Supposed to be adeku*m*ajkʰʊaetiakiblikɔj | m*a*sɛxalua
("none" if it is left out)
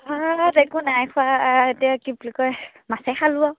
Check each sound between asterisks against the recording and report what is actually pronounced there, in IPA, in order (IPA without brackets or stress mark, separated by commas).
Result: n, a